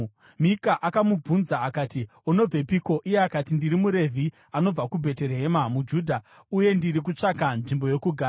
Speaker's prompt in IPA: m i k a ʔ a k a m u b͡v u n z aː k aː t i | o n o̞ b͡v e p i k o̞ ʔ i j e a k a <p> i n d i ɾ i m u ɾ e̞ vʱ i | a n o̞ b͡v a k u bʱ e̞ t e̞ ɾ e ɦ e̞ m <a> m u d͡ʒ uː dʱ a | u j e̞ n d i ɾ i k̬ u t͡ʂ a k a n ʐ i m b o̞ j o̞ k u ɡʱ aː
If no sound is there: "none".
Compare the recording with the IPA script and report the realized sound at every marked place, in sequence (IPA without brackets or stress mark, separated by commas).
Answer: t, a